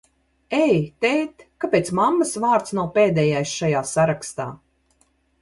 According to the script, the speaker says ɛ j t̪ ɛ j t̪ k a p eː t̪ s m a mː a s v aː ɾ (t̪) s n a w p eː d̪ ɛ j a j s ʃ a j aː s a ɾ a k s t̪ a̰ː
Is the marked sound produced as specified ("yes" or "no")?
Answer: yes